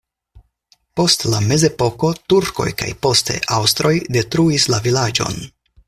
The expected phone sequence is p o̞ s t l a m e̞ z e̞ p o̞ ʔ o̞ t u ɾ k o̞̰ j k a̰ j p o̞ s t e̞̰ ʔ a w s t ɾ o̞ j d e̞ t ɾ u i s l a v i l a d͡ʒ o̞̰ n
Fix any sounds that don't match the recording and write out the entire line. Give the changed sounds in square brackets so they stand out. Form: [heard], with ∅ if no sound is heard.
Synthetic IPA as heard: p o̞ s t l a m e̞ z e̞ p o̞ [k] o̞ t u ɾ k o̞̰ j k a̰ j p o̞ s t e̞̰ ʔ a w s t ɾ o̞ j d e̞ t ɾ u i s l a v i l a d͡ʒ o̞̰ n